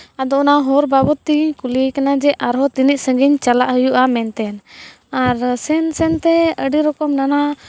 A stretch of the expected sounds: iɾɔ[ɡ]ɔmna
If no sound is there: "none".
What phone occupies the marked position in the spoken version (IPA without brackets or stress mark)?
k